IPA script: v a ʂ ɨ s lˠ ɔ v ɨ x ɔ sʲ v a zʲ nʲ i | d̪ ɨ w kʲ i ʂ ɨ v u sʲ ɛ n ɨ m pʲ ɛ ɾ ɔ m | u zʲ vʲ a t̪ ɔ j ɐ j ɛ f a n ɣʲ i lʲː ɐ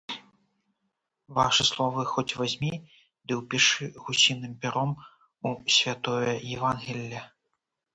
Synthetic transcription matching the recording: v a ʂ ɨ s lˠ ɔ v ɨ x ɔ t͡sʲ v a zʲ mʲ i | d̪ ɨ w pʲ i ʂ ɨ ɣ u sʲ i n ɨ m pʲ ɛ ɾ ɔ m | u sʲ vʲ a t̪ ɔ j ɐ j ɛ v a n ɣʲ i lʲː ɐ